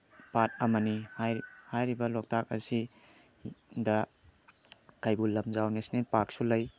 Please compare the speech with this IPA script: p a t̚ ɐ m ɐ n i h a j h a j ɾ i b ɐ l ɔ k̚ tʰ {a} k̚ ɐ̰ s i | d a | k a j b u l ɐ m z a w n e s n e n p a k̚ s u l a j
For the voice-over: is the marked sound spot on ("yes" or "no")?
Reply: yes